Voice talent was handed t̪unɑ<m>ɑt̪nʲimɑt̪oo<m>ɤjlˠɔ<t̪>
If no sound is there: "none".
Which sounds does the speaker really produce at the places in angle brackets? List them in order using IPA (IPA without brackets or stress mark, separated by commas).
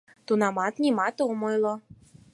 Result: m, m, none